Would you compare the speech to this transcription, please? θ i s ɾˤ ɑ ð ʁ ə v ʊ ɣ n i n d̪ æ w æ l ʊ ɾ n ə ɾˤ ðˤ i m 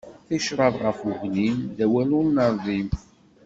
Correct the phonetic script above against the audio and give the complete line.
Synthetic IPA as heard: θ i ʃ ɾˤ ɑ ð ʁ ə f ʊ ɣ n i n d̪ æ w æ l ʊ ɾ n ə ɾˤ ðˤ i m